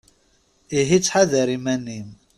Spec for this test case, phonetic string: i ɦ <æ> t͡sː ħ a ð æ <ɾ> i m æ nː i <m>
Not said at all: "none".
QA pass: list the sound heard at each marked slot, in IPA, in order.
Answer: i, ɾ, m

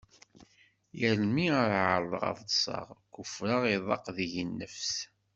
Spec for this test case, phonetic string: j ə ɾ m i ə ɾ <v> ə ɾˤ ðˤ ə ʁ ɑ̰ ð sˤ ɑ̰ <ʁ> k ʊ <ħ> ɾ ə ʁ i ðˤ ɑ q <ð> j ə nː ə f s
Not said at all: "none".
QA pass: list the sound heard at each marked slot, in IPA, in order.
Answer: ʕ, ʁ, f, ð

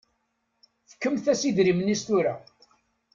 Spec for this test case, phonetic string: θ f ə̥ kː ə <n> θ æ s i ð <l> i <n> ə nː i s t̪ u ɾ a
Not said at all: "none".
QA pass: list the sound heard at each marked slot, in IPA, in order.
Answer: m, ɾ, m

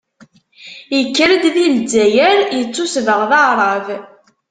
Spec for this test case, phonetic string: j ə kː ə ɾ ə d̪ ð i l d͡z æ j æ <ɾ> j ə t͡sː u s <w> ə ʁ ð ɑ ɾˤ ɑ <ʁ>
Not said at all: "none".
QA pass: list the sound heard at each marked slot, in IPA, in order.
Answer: ɾ, v, v

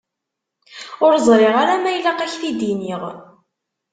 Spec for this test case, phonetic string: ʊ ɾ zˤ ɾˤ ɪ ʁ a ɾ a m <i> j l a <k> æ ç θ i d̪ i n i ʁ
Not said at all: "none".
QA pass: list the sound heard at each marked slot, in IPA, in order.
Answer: æ, q

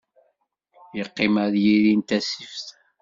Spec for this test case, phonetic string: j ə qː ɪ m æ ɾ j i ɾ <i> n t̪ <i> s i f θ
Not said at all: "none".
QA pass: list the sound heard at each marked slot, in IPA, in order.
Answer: i, æ

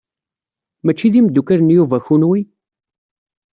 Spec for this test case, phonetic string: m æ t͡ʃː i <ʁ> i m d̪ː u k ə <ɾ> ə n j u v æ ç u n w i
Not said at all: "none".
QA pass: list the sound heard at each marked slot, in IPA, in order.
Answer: ð, ɾ

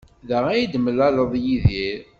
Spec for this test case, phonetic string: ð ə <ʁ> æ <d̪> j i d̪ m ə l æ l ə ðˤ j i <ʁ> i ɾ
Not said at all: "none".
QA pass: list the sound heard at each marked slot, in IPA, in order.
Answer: ʁ, none, ð

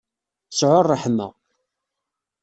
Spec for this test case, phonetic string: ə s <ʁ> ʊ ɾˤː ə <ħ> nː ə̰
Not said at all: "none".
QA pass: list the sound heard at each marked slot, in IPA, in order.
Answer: ʕ, ħ

